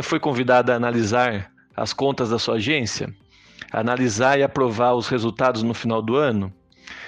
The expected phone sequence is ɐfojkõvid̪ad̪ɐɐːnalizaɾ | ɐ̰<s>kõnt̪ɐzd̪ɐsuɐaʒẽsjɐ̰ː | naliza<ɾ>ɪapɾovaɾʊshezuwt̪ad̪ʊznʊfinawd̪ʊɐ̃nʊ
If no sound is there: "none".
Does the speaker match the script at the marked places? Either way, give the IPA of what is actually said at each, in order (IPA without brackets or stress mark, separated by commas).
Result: s, ɾ